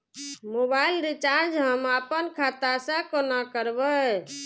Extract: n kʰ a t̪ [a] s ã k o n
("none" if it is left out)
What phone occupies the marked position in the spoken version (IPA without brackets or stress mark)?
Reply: a